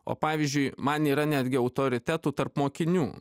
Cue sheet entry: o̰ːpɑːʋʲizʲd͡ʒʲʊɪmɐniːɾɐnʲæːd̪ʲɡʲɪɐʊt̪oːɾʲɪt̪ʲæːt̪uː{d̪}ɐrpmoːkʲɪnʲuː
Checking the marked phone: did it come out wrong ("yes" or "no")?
yes